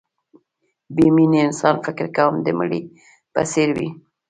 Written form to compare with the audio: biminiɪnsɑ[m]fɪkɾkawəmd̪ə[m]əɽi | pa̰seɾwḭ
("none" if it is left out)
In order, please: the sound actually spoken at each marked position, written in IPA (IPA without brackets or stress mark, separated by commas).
n, m